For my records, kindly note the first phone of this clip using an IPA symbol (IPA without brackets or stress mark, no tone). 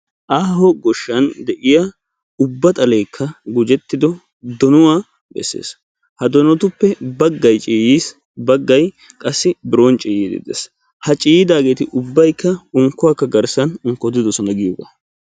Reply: ʔ